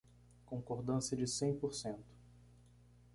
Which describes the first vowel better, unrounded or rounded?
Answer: rounded